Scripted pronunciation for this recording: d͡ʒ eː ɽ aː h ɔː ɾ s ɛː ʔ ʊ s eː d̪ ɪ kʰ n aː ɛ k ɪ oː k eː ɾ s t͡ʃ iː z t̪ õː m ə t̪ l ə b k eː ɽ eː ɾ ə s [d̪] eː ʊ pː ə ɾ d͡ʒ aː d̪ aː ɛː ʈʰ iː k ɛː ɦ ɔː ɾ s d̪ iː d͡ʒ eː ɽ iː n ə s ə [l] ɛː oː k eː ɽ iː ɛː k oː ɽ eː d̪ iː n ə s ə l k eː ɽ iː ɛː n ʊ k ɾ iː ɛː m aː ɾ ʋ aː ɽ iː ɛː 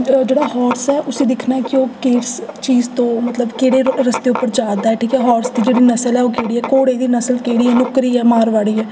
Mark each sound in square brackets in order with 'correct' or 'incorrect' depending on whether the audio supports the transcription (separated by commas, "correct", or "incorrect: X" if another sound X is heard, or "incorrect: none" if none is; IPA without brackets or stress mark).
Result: incorrect: t̪, correct